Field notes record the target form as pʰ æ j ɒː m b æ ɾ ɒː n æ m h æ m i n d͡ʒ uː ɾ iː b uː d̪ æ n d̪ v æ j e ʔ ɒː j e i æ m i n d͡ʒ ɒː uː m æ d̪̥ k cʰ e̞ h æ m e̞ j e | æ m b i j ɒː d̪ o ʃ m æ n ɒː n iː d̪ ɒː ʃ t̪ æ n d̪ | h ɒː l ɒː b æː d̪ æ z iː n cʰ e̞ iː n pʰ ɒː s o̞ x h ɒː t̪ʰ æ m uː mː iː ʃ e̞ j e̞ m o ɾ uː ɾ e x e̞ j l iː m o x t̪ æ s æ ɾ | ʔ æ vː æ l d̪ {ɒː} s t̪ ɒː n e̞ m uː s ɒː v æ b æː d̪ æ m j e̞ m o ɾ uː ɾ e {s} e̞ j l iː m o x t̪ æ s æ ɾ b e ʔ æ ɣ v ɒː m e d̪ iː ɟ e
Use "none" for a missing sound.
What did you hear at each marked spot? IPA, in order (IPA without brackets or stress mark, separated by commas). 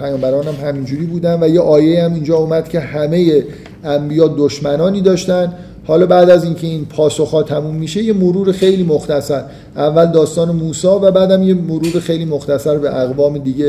ɒː, x